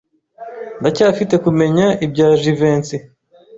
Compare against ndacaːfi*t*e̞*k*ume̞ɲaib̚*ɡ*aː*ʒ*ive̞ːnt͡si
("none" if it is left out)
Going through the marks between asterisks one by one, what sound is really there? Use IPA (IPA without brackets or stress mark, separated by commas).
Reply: t, k, ɟ, ʒ